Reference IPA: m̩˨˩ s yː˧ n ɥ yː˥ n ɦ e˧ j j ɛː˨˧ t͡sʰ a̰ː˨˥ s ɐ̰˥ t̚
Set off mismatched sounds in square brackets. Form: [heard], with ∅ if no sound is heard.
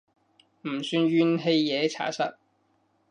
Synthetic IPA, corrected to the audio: m̩˨˩ s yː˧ n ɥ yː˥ n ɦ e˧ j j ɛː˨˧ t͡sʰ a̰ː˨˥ s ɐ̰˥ t̚